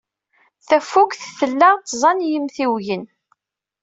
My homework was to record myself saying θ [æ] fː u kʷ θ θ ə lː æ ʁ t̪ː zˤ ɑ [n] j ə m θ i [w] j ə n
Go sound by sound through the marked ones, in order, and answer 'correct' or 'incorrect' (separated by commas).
correct, correct, correct